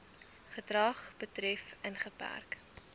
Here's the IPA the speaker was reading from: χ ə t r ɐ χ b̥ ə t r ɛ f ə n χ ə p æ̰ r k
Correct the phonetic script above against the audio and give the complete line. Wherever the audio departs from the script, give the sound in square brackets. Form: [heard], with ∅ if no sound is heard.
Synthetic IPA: χ ə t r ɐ χ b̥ ə t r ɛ f ə n χ ə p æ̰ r k